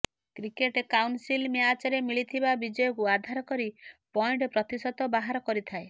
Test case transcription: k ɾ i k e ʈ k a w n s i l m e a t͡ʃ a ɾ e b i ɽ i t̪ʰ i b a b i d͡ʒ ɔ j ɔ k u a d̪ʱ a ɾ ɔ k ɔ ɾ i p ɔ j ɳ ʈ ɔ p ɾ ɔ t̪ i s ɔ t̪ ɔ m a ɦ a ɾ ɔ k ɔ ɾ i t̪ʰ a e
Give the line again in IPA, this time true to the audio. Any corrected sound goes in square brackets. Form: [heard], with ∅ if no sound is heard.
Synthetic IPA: k ɾ i k e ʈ k a w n s i l m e a t͡ʃ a ɾ e [m] i [ɭ] i t̪ʰ i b a b i d͡ʒ ɔ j ɔ k u a d̪ʱ a ɾ ɔ k ɔ ɾ i p ɔ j ɳ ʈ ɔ p ɾ ɔ t̪ i s ɔ t̪ ɔ [b] a ɦ a ɾ ɔ k ɔ ɾ i t̪ʰ a e